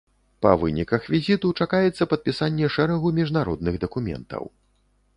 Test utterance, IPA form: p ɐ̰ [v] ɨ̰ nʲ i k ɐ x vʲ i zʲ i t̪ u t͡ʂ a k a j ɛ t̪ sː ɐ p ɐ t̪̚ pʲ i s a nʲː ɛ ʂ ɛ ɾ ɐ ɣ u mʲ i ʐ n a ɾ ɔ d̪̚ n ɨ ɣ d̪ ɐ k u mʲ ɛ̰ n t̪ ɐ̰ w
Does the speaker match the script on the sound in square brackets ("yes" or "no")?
yes